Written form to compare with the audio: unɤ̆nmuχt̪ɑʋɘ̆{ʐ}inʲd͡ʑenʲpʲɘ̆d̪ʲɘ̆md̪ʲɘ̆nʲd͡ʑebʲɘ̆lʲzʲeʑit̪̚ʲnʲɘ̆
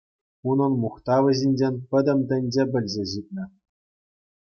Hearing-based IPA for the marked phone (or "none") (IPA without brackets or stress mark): ʑ